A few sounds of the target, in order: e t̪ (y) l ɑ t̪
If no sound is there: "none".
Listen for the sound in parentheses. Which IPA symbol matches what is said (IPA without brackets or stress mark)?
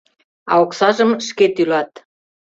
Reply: y